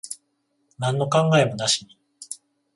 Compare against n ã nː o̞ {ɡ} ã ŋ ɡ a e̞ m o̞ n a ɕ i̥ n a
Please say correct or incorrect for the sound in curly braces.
incorrect